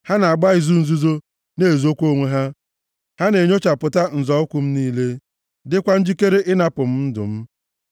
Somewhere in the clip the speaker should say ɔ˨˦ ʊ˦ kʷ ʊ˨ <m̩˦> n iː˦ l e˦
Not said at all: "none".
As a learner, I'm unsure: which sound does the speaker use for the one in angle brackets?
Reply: m̩˦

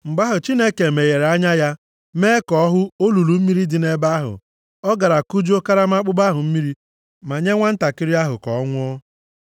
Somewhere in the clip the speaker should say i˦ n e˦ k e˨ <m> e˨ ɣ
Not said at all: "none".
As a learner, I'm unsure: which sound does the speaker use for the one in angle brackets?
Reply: m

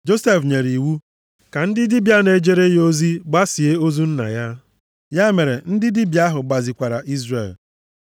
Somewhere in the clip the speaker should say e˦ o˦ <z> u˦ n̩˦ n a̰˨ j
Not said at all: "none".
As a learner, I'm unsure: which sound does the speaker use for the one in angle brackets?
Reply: z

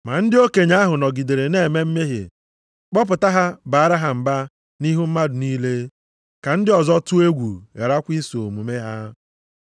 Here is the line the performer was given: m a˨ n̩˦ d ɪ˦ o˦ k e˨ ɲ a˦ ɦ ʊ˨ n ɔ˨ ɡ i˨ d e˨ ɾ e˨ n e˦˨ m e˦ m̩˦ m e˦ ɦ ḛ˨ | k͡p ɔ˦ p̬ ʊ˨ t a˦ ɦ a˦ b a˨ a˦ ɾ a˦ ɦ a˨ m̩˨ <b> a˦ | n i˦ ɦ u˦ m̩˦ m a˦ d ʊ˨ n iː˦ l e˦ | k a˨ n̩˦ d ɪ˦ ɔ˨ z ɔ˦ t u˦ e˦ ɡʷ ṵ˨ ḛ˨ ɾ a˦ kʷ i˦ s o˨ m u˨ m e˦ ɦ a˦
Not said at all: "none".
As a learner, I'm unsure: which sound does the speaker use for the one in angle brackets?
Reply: b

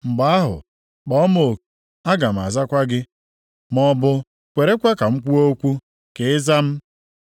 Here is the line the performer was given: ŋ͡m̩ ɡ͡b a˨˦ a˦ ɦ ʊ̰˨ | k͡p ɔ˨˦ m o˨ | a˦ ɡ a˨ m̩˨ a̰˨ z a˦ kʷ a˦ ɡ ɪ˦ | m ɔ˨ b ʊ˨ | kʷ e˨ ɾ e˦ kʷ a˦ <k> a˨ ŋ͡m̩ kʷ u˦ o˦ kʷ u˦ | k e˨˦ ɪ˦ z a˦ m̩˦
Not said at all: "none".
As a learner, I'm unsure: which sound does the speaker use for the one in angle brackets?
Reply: k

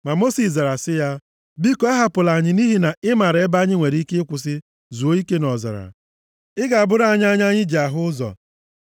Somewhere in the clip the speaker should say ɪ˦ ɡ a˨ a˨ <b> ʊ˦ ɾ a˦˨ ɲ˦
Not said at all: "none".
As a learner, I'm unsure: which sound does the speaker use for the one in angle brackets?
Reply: b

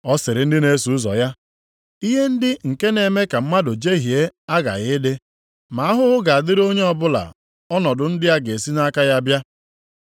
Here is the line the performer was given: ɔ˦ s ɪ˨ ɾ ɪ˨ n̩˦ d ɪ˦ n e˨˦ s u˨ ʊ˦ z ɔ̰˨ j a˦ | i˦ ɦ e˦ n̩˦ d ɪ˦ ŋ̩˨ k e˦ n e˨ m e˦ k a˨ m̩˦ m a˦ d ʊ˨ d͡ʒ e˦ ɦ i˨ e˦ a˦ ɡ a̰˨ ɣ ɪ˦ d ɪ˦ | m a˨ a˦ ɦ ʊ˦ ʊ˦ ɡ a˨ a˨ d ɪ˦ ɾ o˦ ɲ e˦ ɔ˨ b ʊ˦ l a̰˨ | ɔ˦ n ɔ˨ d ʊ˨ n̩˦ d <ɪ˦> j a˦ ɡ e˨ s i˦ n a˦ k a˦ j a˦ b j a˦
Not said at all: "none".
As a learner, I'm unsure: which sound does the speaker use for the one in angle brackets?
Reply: ɪ˦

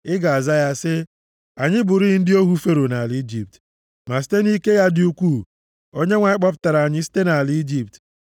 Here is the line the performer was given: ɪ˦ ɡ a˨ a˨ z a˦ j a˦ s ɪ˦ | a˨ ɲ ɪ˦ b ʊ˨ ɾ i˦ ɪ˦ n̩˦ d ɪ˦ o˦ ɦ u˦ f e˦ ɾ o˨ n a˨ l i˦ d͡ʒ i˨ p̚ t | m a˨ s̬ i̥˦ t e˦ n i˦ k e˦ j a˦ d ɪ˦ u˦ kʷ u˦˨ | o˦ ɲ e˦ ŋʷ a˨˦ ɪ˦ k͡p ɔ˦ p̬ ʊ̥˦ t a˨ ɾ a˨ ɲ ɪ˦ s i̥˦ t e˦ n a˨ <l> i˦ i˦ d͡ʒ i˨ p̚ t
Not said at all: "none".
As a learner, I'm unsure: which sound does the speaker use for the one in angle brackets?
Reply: l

